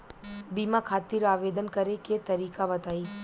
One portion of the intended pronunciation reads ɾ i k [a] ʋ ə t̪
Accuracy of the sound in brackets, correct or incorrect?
correct